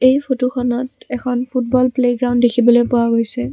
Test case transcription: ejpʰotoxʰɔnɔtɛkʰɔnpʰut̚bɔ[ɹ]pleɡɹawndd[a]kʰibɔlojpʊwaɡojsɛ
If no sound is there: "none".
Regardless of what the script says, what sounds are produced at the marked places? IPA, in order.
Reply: l, e

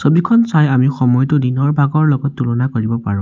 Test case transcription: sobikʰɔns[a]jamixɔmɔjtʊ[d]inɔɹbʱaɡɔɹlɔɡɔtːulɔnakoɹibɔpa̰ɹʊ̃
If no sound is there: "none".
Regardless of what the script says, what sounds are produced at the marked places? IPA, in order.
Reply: a, d

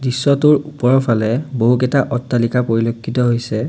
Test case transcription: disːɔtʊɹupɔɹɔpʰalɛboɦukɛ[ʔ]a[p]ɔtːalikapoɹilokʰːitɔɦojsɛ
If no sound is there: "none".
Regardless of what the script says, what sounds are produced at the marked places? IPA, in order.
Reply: t, ʔ

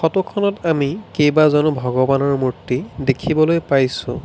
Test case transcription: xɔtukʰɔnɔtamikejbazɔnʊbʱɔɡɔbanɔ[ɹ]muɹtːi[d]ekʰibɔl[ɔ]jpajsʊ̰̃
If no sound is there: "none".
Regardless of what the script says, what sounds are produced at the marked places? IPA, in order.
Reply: ɹ, d, o

